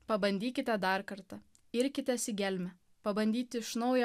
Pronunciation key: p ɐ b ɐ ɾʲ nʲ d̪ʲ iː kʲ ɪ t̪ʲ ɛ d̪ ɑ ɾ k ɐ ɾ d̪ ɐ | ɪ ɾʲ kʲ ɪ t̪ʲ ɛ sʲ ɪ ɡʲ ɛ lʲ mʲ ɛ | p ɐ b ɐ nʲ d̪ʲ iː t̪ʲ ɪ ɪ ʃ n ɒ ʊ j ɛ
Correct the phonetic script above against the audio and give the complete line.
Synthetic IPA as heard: p ɐ b ɐ nʲ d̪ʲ iː kʲ ɪ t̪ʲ ɛ d̪ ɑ ɾ k ɐ ɾ t̪ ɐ | ɪ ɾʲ kʲ ɪ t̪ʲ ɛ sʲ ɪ ɡʲ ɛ lʲ mʲ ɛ | p ɐ b ɐ nʲ d̪ʲ iː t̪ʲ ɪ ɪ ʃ n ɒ ʊ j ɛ